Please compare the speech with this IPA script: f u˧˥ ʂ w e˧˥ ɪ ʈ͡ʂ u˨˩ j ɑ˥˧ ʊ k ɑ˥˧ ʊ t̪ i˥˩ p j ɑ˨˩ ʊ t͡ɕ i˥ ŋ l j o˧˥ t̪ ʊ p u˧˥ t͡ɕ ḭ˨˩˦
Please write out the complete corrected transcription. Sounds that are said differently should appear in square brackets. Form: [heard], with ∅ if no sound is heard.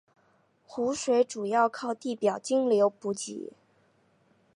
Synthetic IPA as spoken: [x] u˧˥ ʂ w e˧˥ ɪ ʈ͡ʂ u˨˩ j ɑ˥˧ ʊ [kʰ] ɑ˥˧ ʊ t̪ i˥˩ p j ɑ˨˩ ʊ t͡ɕ i˥ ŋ l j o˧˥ [∅] ʊ p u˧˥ t͡ɕ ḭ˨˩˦